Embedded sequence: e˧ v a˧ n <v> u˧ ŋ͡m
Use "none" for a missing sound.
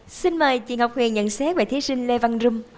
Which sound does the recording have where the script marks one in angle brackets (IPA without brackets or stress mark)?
z